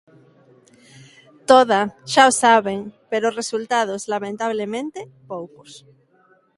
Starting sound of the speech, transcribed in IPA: t̪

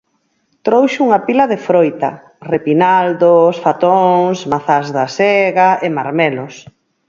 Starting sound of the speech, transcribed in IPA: t̪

